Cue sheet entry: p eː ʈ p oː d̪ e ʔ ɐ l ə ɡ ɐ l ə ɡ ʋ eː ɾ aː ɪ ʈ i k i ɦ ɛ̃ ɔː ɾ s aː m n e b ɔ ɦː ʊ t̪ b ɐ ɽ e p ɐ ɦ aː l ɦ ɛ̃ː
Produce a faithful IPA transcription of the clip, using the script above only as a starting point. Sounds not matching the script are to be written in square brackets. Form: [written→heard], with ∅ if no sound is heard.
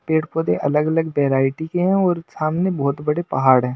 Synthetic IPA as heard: p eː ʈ p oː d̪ e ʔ ɐ l ə ɡ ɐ l ə ɡ ʋ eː ɾ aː ɪ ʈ i k [i→e] ɦ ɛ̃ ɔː ɾ s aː m n e b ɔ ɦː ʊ t̪ b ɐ ɽ e p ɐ ɦ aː [l→ɽ] ɦ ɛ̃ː